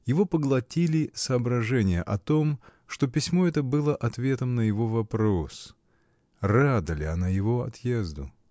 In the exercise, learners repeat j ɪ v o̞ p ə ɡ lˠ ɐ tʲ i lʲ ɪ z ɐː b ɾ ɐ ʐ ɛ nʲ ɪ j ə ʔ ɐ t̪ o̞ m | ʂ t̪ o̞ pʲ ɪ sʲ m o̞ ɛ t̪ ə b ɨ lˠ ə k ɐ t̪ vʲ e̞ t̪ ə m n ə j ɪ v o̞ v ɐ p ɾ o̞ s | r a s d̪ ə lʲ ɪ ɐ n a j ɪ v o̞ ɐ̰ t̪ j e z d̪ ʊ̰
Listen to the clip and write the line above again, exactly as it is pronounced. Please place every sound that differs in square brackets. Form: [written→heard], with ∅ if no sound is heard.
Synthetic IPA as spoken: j ɪ v o̞ p ə ɡ lˠ ɐ tʲ i lʲ ɪ [z→s] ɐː b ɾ ɐ ʐ ɛ nʲ ɪ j ə ʔ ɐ t̪ o̞ m | ʂ t̪ o̞ pʲ ɪ sʲ m o̞ ɛ t̪ ə b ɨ lˠ ə [k→ʔ] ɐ t̪ vʲ e̞ t̪ ə m n ə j ɪ v o̞ v ɐ p ɾ o̞ s | r a [s→∅] d̪ ə lʲ ɪ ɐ n a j ɪ v o̞ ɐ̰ t̪ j e z d̪ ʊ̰